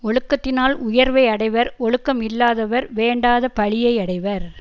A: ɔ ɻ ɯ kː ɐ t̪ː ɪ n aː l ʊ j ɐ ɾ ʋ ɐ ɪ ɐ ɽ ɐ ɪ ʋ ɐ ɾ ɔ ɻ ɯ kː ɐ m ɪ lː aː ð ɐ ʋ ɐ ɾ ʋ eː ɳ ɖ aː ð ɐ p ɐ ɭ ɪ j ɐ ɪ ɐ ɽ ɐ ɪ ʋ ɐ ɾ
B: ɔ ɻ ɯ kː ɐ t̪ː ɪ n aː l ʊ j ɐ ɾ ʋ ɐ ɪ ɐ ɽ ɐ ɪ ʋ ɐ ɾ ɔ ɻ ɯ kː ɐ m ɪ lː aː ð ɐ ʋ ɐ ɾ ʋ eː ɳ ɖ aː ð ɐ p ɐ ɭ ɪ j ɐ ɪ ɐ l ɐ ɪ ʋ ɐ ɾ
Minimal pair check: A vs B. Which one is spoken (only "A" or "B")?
A